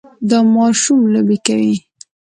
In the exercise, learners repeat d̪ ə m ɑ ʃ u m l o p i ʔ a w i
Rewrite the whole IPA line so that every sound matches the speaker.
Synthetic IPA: d̪ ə m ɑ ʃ u m l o b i k a w i